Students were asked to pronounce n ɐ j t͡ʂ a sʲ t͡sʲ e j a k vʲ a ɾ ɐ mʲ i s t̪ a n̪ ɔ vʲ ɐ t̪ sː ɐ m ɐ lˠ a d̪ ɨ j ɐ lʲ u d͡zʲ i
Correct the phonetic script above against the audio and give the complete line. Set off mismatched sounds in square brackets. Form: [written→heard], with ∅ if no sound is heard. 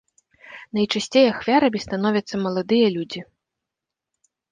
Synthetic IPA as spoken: n ɐ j t͡ʂ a sʲ t͡sʲ e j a [k→x] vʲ a ɾ ɐ mʲ i s t̪ a n̪ ɔ vʲ ɐ t̪ sː ɐ m ɐ lˠ a d̪ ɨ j ɐ lʲ u d͡zʲ i